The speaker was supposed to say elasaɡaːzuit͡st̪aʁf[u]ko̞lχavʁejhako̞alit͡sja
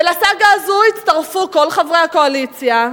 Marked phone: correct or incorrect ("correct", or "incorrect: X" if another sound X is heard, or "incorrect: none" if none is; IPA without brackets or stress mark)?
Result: correct